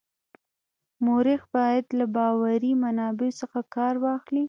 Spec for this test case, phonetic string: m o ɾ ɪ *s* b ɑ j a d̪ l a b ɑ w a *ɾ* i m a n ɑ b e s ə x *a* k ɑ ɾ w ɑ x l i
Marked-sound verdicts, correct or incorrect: incorrect: x, correct, correct

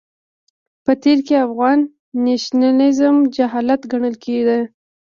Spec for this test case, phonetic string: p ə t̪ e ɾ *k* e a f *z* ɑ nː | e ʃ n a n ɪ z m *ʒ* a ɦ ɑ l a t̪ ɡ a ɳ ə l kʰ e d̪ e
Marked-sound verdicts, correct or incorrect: correct, incorrect: ɣ, incorrect: d͡ʒ

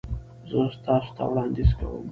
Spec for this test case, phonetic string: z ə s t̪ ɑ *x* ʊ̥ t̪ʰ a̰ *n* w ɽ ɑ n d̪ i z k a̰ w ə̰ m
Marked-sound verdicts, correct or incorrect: incorrect: s, incorrect: none

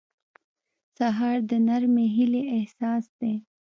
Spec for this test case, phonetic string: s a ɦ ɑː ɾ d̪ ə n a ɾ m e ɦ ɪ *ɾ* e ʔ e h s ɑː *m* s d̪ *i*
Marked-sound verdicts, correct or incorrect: incorrect: l, incorrect: none, incorrect: e

